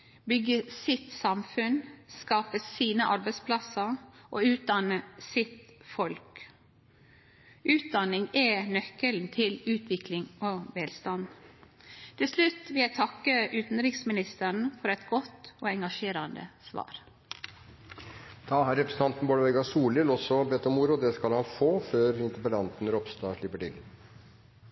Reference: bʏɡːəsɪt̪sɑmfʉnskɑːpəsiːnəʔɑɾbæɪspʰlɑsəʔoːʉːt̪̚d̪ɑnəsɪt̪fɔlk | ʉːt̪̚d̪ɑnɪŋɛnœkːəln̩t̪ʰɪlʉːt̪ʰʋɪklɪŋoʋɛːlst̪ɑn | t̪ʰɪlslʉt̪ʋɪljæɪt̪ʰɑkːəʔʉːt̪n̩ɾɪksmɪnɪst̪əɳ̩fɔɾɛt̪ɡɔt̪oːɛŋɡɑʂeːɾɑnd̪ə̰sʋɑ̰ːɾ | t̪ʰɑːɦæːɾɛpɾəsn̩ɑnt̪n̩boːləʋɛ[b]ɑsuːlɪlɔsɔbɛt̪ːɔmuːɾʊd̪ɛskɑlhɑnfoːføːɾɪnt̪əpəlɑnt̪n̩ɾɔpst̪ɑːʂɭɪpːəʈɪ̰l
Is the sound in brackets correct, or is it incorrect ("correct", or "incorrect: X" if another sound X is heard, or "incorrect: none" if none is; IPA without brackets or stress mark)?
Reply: incorrect: ɡ